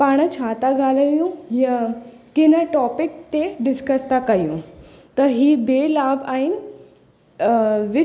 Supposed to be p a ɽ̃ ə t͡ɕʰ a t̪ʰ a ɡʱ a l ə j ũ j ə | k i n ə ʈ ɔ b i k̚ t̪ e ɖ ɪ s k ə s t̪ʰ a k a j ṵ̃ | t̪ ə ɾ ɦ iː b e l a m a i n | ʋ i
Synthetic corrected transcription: p a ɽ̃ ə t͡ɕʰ a t̪ a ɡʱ a l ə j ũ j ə | k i n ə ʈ ɔ p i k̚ t̪ e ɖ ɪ s k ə s t̪ a k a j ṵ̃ | t̪ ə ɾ ɦ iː b e l a b a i n | ʋ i